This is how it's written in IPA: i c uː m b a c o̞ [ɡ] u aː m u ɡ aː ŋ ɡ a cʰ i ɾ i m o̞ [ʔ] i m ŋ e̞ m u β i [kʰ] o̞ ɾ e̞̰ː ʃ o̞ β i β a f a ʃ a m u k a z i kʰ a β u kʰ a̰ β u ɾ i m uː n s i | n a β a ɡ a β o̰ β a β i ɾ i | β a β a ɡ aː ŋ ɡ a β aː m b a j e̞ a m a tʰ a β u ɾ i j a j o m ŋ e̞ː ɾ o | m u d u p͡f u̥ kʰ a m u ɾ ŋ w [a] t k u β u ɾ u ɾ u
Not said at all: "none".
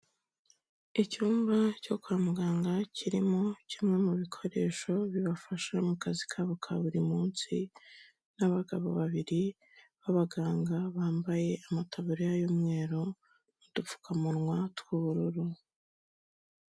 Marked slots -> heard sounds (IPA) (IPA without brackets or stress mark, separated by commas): k, c, kʰ, a